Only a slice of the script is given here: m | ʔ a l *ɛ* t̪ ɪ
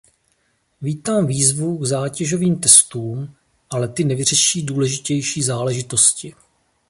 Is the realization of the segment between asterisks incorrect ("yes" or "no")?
no